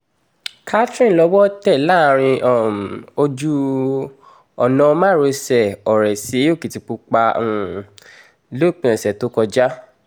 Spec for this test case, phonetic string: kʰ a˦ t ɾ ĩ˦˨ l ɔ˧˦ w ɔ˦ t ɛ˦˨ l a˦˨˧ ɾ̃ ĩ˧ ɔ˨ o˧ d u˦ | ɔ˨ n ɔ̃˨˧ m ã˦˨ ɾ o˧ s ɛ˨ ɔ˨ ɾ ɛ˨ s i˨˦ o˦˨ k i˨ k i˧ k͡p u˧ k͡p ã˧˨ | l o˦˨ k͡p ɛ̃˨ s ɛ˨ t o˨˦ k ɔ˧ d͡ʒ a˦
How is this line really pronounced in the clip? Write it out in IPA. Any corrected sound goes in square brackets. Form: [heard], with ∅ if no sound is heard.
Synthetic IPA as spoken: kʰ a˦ t ɾ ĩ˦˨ l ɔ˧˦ w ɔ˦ t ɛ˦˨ l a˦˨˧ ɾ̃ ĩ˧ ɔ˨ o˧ [d͡ʒ] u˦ | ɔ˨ n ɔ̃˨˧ m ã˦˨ ɾ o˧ s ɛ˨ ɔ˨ ɾ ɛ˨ s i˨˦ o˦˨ k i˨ [t] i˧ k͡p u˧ k͡p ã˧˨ | l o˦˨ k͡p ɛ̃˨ s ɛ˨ t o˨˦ k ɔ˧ d͡ʒ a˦